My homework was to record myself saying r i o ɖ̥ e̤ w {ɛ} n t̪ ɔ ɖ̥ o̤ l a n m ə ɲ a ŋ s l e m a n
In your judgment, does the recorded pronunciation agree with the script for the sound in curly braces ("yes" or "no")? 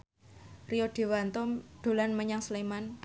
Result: no